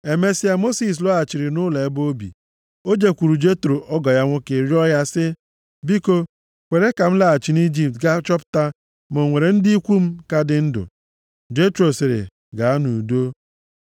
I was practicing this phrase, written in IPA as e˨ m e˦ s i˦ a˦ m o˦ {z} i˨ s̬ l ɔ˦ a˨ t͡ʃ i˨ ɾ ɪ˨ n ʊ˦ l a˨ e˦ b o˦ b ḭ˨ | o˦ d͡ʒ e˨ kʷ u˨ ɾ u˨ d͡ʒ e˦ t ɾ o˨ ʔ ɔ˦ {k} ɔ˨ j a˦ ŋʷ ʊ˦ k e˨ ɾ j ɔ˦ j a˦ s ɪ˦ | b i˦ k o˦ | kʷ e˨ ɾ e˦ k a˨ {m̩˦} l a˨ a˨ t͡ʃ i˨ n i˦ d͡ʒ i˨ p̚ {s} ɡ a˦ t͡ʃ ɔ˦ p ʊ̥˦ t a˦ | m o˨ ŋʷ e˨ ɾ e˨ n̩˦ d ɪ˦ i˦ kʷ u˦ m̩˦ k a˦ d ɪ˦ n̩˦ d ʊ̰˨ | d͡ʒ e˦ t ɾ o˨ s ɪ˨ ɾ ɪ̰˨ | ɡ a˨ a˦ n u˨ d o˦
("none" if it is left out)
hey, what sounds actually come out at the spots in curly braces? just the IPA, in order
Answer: s, ɡ, m̩˦, t

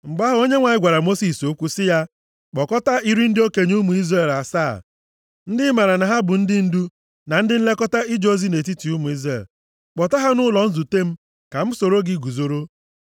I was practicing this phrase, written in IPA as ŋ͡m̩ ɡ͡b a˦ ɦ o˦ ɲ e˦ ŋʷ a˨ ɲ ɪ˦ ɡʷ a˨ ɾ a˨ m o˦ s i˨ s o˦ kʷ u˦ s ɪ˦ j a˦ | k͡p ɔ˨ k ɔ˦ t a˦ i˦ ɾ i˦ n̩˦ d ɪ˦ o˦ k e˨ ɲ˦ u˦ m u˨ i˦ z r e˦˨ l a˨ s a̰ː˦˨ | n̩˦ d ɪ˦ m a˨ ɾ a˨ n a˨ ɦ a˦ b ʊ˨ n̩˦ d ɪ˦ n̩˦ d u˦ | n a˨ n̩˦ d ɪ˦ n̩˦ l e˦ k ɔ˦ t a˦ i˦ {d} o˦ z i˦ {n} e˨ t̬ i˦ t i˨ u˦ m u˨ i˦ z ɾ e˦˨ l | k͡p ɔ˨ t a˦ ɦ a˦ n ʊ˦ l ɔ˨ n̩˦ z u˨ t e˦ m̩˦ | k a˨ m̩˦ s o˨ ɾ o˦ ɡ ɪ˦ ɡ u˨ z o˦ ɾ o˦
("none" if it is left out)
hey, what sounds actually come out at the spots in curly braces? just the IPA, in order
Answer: d͡ʒ, n

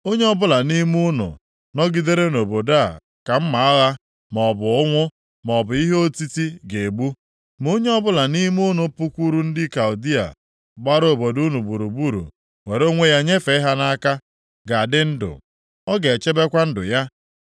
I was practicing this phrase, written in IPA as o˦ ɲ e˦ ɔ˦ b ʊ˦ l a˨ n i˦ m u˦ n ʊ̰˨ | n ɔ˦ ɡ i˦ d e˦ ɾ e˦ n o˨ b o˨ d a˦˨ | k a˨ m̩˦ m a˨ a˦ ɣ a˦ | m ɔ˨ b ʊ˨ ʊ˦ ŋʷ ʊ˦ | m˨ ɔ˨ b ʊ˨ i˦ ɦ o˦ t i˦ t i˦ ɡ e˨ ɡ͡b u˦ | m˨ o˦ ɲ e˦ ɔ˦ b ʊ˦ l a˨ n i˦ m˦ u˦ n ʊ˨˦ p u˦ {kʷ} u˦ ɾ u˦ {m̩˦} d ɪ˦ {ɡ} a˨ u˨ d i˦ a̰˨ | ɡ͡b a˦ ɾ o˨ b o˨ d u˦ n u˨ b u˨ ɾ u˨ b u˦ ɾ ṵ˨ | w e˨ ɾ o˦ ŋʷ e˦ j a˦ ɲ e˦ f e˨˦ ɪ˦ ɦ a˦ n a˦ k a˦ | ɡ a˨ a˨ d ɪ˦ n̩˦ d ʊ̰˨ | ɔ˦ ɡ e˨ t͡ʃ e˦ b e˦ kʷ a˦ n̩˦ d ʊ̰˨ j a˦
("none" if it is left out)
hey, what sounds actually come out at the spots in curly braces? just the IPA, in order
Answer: kʷ, n̩˦, k

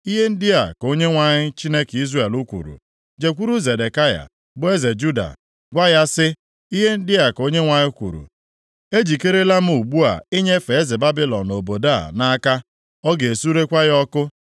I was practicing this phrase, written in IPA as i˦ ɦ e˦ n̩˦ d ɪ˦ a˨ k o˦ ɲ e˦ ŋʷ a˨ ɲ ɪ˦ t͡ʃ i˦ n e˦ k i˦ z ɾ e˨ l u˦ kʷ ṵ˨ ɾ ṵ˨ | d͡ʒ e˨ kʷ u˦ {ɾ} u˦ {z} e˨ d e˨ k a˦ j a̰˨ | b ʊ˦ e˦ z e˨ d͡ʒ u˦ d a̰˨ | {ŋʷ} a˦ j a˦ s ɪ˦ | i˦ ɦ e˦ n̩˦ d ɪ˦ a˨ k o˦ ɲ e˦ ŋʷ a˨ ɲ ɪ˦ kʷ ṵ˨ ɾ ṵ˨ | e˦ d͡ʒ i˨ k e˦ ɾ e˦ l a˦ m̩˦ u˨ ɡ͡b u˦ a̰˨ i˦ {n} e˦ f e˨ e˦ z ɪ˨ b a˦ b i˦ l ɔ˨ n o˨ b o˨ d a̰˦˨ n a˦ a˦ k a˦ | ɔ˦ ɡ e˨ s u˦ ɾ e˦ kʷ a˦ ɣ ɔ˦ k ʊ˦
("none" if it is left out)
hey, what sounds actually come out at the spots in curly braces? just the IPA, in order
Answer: ɾ, z, ɡʷ, ɲ

